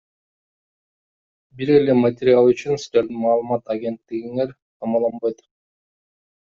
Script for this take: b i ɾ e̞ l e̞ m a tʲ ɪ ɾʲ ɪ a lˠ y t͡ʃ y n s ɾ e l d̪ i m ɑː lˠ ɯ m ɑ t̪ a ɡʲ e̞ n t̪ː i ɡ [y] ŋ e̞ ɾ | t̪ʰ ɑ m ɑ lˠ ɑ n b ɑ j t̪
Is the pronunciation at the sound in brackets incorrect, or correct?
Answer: incorrect